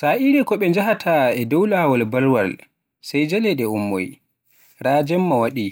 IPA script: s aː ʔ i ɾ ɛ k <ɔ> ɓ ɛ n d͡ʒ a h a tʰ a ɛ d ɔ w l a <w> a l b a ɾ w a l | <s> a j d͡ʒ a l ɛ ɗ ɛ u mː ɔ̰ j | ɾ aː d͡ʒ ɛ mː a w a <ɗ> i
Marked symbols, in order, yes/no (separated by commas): yes, yes, yes, yes